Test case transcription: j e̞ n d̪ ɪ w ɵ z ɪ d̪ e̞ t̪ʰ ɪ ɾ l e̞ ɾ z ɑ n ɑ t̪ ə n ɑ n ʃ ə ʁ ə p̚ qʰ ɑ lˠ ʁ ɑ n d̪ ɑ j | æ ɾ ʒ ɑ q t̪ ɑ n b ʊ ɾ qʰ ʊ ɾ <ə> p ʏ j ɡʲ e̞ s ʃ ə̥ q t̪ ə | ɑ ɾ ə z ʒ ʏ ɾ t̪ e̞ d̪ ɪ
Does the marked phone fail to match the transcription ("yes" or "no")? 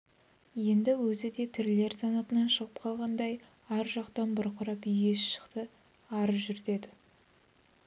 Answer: yes